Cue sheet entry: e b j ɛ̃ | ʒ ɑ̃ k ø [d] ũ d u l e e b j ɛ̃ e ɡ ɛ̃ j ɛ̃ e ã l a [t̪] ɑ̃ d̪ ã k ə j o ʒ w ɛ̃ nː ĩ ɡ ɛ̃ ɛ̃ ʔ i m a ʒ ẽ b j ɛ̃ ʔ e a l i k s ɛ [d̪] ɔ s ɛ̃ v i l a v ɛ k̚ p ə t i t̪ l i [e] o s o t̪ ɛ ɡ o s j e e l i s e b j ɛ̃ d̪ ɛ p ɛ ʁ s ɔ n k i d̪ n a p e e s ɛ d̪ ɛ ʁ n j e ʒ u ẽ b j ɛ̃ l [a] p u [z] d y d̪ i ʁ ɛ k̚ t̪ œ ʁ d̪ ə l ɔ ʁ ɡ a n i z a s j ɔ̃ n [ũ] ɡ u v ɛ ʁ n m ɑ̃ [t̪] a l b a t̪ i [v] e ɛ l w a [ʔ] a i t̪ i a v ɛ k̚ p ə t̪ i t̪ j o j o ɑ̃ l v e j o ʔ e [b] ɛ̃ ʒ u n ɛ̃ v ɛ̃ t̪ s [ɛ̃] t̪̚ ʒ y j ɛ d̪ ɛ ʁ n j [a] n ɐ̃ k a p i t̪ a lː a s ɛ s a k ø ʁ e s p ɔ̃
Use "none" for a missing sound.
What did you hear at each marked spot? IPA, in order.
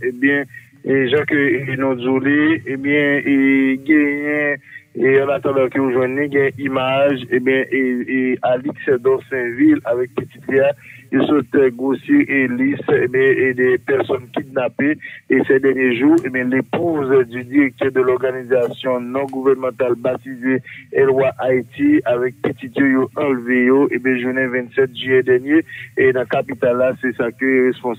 n, t̪, d̪, a, e, z, ɔ̃, t̪, z, ʔ, b, ɛ, e

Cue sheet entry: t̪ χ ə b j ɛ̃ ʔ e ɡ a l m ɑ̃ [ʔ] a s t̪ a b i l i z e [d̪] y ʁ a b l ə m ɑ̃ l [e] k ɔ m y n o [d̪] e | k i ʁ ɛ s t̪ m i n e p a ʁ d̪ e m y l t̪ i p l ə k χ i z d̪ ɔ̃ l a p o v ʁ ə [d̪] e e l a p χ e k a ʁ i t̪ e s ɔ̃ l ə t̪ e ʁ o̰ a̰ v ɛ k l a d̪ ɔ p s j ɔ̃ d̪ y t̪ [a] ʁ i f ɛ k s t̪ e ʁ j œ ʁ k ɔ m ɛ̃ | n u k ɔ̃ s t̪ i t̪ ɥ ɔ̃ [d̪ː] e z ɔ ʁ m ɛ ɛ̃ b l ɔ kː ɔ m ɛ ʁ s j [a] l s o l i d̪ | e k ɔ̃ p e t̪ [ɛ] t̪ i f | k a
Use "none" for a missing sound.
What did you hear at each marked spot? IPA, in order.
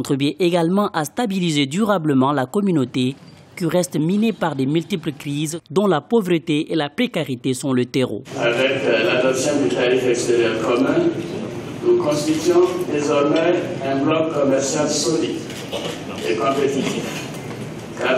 ʔ, d̪, a, t̪, t̪, a, d̪, a, i

